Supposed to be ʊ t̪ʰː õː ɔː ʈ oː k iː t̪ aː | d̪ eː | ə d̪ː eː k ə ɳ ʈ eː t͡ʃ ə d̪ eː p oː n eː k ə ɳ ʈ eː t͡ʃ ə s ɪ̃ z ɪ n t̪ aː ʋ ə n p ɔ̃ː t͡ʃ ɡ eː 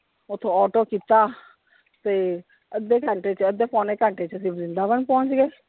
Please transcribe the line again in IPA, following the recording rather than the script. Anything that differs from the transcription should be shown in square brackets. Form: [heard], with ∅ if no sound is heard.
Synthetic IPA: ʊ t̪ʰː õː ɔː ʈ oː k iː t̪ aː | [t̪] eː | ə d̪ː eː k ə ɳ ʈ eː t͡ʃ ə d̪ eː p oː n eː k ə ɳ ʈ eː t͡ʃ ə s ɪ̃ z ɪ n [d̪] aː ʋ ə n p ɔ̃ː t͡ʃ ɡ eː